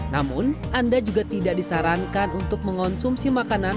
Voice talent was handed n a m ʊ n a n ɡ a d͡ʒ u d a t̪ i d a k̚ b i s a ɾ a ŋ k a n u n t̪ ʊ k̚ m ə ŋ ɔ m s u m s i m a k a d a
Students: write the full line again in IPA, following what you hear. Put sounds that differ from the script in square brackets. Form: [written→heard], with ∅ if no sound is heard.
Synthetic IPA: n a m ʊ n a n [ɡ→d] a d͡ʒ u [d→ɡ] a t̪ i d a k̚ [b→d] i s a ɾ a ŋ k a n u n t̪ ʊ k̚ m ə ŋ ɔ [m→n] s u m s i m a k a [d→n] a